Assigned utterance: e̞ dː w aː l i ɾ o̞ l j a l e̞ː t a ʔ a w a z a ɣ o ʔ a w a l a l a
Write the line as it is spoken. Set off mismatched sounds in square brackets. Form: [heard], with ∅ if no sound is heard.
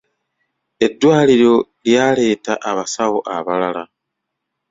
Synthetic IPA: e̞ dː w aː l i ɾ o̞ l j a l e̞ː t a ʔ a [β] a [s] a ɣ o ʔ a [β] a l a l a